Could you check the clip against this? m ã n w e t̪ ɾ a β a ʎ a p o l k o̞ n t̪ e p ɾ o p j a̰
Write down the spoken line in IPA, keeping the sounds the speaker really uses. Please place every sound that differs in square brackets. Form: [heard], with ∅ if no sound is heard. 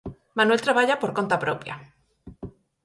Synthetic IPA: m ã n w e t̪ ɾ a β a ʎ a p o [ɾ] k o̞ n t̪ [a] p ɾ o p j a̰